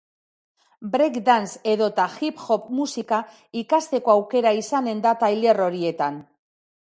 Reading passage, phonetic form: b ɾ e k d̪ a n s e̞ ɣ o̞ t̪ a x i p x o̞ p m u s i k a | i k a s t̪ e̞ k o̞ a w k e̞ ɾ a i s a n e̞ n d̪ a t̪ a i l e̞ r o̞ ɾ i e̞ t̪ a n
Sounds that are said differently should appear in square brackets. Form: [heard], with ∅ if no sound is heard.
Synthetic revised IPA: b ɾ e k d̪ a n s e̞ [ð] o̞ t̪ a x i p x o̞ p m u s i k a | i k a s t̪ e̞ k o̞ a w k e̞ ɾ a i s a n e̞ n d̪ a t̪ a [j] l e̞ r o̞ ɾ i e̞ t̪ a n